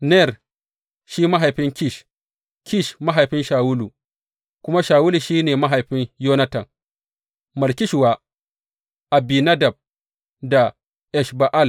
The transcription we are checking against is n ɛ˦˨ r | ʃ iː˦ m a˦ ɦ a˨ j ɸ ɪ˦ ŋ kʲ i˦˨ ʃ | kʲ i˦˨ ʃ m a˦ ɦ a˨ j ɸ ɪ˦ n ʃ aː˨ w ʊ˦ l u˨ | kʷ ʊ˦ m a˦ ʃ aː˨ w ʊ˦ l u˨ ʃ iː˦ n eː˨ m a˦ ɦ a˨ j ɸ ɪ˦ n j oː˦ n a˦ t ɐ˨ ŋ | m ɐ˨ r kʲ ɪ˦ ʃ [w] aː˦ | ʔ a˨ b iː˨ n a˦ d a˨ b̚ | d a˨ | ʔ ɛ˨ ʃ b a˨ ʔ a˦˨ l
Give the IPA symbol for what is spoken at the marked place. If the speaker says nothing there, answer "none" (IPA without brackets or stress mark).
w